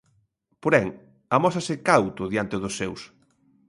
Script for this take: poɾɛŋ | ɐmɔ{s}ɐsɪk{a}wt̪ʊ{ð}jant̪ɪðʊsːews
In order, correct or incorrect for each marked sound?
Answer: correct, correct, correct

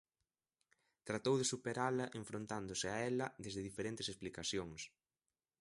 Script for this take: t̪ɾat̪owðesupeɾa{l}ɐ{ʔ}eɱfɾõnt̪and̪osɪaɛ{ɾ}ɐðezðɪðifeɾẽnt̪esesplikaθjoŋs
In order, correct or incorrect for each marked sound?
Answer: correct, correct, incorrect

